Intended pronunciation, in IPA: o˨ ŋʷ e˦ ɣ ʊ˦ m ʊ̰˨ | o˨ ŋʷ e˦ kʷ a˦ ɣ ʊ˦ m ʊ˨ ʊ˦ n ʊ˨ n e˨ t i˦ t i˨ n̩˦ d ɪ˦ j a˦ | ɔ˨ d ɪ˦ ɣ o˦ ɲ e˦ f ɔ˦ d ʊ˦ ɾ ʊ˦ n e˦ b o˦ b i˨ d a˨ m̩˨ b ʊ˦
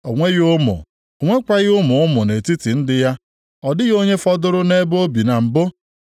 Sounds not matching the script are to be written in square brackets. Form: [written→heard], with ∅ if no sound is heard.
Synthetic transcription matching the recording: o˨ ŋʷ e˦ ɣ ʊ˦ m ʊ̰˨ | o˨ ŋʷ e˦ kʷ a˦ ɣ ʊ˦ m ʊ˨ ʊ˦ [n→m] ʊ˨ n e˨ t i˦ t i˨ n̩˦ d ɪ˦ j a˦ | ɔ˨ d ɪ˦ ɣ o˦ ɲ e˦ f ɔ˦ d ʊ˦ ɾ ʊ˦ n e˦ b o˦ b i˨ [d→n] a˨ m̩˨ b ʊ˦